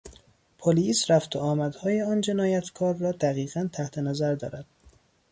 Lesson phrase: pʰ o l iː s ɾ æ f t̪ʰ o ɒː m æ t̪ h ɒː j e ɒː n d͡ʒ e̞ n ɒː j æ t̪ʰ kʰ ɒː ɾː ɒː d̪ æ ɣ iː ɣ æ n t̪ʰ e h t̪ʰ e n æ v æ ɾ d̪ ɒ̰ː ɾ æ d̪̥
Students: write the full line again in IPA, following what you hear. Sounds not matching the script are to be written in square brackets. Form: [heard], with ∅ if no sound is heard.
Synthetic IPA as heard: pʰ o l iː s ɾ æ f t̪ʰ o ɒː m æ [d̪] h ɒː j e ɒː n d͡ʒ e̞ n ɒː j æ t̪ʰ kʰ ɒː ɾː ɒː d̪ æ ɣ iː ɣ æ n t̪ʰ [æ] h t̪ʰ e n æ [z] æ ɾ d̪ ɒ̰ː ɾ æ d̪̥